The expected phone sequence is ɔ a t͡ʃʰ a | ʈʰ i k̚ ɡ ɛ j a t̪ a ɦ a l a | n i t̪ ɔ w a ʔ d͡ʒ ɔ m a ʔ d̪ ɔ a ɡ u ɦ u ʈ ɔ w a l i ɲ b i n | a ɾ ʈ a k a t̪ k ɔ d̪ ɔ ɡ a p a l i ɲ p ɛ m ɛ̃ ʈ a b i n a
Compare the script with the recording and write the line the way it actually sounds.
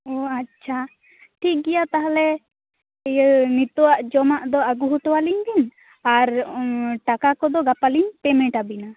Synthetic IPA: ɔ a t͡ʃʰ a | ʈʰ i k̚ ɡ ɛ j a t̪ a ɦ a l ɛ | n i t̪ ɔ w a ʔ d͡ʒ ɔ m a ʔ d̪ ɔ a ɡ u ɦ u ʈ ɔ w a l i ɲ b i n | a ɾ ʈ a k a k ɔ d̪ ɔ ɡ a p a l i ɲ p ɛ m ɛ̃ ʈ a b i n a